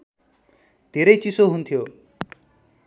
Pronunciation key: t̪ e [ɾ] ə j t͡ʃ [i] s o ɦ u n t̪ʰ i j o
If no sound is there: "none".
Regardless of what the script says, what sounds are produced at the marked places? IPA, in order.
ɾ, i

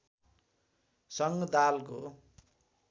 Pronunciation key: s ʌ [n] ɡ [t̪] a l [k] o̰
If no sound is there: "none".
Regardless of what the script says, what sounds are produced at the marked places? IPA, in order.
ŋ, d̪, k

